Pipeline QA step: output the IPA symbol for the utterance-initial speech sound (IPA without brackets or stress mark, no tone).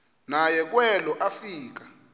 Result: n